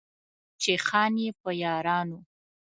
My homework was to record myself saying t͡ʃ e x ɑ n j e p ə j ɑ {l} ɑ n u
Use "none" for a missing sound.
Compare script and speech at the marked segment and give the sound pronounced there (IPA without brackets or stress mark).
ɾ